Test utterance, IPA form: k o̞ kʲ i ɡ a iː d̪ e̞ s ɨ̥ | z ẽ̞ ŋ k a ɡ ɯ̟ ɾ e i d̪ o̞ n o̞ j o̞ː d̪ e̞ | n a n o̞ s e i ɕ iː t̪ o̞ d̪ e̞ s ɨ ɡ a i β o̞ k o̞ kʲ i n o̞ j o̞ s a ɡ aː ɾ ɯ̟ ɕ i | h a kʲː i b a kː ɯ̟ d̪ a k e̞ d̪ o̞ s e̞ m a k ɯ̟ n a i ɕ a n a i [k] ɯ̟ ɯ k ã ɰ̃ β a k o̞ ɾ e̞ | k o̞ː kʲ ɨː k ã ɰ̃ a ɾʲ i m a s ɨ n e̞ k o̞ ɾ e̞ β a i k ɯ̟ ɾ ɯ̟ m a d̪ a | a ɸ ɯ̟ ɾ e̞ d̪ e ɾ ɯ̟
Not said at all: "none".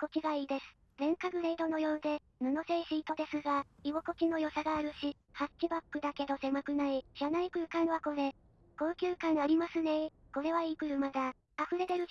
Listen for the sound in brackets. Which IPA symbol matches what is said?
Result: k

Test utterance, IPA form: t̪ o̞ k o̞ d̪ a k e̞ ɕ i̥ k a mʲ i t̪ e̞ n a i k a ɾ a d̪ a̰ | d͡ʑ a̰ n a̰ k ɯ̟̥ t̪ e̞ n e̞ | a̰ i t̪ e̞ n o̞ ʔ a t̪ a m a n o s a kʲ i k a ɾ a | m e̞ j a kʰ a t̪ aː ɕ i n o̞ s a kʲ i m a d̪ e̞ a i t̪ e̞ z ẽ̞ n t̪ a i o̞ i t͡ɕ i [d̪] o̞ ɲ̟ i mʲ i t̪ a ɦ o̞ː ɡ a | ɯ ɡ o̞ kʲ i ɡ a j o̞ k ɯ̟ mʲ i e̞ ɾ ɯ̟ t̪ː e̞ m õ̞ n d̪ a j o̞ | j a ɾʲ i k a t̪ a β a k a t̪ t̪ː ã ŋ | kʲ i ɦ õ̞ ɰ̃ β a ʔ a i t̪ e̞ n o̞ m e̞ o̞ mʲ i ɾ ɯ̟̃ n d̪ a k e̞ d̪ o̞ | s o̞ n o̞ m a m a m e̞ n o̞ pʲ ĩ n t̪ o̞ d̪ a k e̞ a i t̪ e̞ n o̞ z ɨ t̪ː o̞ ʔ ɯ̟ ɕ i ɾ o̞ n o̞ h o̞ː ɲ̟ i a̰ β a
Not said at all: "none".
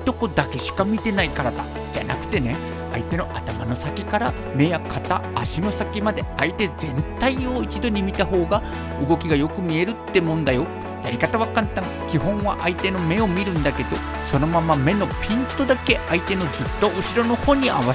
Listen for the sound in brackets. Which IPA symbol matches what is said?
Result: d̪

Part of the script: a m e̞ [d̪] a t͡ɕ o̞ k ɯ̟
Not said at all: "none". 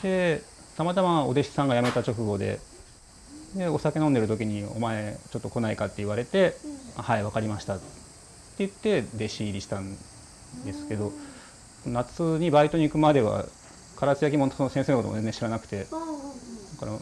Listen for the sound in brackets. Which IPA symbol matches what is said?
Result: t̪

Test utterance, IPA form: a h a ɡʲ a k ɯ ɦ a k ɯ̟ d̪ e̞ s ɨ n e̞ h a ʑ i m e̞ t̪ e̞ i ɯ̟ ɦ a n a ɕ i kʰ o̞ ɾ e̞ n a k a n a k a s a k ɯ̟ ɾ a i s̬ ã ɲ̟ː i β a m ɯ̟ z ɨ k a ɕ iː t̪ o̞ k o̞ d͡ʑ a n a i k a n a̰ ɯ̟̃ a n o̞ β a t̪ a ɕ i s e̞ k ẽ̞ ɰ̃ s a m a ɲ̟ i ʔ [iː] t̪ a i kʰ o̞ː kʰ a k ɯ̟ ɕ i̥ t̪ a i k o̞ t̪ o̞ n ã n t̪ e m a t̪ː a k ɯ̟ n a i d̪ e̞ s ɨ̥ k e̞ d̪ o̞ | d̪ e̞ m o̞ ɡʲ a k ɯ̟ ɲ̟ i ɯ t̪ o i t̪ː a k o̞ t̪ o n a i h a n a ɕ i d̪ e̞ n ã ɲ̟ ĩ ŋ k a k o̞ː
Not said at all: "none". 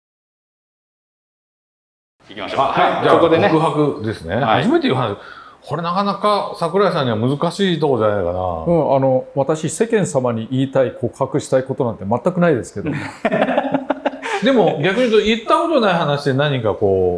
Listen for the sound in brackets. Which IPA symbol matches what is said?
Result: iː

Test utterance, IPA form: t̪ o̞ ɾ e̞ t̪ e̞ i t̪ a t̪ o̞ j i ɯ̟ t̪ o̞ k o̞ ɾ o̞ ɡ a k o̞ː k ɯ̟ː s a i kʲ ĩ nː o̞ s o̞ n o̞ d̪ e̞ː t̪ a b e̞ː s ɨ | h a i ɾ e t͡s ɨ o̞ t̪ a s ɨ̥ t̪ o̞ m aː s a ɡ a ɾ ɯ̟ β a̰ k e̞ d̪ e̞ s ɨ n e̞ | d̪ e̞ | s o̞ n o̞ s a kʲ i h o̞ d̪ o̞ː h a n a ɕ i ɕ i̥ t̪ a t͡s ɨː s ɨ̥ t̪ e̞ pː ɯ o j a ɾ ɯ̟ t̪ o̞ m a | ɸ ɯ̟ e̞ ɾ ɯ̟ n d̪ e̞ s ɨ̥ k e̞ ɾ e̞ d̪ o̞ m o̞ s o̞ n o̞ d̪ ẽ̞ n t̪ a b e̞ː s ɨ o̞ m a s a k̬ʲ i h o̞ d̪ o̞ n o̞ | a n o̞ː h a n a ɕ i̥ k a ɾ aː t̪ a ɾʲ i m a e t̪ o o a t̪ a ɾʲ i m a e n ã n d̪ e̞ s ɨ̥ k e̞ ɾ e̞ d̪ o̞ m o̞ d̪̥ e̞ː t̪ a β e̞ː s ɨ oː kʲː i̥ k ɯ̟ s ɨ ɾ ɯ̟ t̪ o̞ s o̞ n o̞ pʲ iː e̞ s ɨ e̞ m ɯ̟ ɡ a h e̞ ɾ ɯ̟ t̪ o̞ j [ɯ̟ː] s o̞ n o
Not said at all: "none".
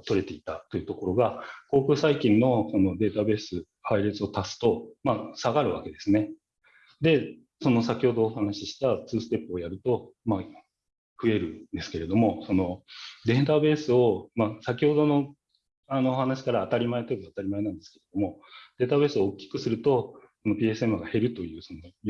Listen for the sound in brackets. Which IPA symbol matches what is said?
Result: ɯ̟ː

